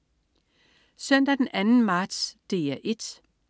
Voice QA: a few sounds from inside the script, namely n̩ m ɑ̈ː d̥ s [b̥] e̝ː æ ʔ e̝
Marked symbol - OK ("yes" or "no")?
no